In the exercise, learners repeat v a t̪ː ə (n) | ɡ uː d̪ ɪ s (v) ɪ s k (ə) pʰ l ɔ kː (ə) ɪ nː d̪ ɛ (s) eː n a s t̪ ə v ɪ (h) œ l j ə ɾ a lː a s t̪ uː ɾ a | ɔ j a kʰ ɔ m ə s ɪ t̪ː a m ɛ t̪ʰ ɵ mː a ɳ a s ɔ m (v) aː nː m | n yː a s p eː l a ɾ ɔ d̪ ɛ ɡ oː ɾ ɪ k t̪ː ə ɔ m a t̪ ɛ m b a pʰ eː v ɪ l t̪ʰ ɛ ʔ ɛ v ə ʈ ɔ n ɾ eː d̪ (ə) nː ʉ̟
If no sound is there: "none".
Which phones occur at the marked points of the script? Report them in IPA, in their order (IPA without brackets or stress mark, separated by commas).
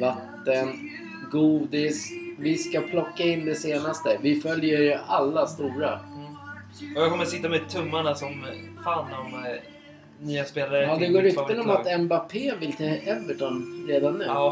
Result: n, v, a, a, s, f, f, a